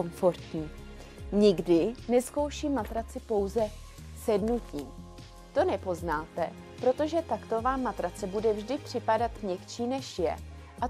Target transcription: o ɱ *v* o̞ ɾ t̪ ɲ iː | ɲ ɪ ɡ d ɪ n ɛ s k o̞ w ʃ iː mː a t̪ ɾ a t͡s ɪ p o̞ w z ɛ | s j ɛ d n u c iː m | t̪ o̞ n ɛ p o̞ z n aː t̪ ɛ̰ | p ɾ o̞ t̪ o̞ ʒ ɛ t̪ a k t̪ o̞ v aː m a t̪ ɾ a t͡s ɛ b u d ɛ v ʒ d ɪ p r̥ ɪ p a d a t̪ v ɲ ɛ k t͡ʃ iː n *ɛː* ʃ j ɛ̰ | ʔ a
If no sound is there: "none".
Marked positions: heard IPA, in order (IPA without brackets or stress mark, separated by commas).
f, ɛ